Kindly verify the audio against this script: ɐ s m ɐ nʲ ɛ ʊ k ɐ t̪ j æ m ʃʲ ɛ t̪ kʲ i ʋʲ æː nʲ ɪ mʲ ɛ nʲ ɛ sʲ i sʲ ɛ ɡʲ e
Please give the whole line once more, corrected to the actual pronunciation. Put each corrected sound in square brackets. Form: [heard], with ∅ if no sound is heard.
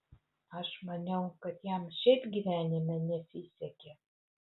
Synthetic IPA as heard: ɐ [ʃ] m ɐ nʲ ɛ ʊ k ɐ t̪ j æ m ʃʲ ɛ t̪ [ɡʲ] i ʋʲ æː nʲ ɪ mʲ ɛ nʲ ɛ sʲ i sʲ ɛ [kʲ] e